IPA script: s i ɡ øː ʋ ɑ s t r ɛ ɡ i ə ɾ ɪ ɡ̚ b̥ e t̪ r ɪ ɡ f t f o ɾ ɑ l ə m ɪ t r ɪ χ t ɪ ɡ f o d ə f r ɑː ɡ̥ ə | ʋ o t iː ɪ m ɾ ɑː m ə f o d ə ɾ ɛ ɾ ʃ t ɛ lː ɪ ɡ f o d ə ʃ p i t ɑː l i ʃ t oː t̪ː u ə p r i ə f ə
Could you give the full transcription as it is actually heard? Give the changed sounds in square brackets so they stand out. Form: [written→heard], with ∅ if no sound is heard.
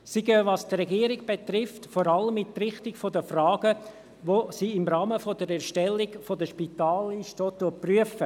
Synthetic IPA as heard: s i ɡ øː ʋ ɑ s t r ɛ ɡ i ə ɾ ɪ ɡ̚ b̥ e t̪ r ɪ [ɡ→∅] f t f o ɾ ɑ l ə m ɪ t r ɪ χ t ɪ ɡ f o d ə f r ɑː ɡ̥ ə | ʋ o [t→s] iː ɪ m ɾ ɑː m ə f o d ə ɾ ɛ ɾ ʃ t ɛ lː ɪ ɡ f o d ə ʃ p i t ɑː l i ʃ t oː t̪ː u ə p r [i→y] ə f ə